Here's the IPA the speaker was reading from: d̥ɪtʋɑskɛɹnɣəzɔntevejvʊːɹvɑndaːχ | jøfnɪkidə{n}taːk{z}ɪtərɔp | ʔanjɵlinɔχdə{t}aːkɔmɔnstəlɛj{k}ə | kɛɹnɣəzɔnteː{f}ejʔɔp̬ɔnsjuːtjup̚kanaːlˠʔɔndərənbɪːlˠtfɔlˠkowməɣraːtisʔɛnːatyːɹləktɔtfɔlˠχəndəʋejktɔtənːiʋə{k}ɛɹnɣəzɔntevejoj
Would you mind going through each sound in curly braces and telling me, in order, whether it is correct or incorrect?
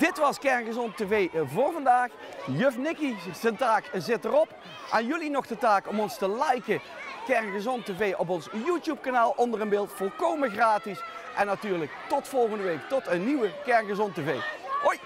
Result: correct, correct, correct, correct, incorrect: v, correct

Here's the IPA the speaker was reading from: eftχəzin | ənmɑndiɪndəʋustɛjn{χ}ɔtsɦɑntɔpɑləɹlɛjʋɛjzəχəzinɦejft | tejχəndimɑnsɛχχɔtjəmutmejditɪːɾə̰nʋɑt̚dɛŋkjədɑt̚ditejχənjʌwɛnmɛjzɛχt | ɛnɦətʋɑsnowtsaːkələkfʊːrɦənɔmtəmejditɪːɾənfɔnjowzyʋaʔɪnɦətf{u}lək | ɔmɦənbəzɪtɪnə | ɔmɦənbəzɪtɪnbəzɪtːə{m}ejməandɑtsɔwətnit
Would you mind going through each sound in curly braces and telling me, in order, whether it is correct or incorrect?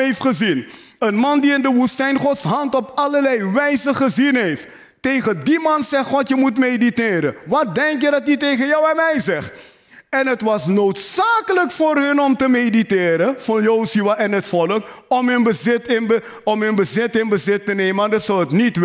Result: correct, incorrect: ɔ, incorrect: n

